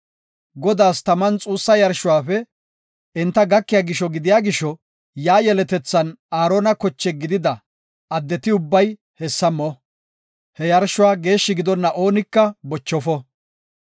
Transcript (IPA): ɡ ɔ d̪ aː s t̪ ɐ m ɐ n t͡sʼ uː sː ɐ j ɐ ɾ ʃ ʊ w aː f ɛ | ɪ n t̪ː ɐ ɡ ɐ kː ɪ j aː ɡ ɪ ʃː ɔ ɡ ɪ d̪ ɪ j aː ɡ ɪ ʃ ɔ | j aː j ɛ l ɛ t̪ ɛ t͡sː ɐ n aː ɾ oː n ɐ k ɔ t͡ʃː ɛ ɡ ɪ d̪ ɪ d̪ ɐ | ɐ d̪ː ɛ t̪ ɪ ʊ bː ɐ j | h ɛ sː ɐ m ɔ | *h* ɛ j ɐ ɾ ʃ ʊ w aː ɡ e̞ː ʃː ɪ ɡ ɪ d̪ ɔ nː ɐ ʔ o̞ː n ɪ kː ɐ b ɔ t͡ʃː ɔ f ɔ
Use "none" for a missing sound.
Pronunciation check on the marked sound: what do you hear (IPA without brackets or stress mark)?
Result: h